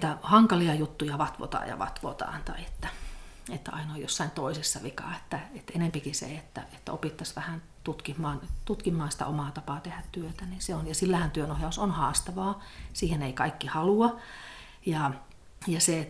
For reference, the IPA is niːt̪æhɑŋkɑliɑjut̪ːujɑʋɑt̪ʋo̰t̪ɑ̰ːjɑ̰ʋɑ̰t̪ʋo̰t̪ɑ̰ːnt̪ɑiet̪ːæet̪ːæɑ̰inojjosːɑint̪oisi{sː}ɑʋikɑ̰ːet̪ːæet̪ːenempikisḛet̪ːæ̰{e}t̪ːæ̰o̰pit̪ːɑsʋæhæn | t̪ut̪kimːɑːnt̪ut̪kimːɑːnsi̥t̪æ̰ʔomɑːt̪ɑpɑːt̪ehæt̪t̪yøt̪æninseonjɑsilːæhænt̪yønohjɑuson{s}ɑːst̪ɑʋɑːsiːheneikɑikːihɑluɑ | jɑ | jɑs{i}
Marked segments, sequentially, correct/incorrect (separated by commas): correct, correct, incorrect, incorrect